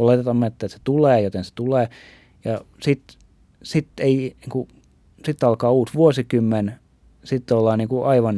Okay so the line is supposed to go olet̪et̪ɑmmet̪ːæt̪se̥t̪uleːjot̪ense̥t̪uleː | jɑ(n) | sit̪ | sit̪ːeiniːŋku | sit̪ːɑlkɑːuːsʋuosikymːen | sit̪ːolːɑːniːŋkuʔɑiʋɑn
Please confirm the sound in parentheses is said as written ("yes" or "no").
no